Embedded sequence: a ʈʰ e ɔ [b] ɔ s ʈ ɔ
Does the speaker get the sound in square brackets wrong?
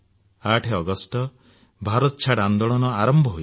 yes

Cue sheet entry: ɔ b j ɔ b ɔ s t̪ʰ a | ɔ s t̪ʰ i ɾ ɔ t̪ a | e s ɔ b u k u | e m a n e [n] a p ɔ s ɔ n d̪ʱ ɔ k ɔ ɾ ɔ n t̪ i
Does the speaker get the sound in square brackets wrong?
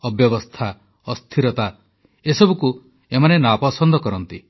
no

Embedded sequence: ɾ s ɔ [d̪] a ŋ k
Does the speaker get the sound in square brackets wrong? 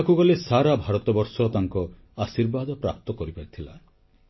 yes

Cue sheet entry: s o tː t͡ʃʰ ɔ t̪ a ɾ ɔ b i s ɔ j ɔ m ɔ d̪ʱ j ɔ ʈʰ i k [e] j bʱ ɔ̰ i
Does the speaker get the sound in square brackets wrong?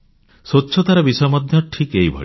no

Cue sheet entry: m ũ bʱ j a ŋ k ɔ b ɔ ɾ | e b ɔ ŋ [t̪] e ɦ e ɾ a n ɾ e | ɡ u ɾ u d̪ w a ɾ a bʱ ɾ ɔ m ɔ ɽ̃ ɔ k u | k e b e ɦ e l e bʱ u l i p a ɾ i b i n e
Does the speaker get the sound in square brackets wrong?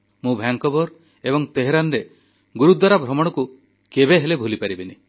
no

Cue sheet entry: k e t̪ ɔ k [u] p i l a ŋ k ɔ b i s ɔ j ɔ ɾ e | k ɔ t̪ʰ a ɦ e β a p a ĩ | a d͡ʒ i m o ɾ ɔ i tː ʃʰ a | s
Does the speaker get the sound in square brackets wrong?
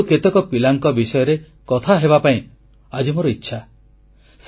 yes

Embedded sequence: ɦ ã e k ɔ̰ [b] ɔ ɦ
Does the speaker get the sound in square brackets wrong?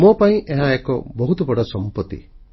no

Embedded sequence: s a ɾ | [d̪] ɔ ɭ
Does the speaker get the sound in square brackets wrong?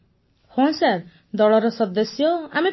no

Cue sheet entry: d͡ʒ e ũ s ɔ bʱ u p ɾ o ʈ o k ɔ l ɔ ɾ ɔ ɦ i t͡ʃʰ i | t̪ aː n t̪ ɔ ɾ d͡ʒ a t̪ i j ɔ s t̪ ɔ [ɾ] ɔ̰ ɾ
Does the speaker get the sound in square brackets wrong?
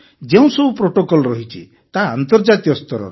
no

